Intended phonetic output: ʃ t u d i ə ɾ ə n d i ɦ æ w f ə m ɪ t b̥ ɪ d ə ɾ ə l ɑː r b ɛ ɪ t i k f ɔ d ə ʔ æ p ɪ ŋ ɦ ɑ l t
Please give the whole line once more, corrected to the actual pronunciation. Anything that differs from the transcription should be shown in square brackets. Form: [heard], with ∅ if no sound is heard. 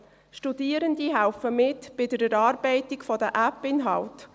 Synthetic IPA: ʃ t u d i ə ɾ ə n d i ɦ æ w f ə m ɪ t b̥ ɪ d ə ɾ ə [ɾ] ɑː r b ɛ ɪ t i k f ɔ d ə ʔ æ p ɪ [n] ɦ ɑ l t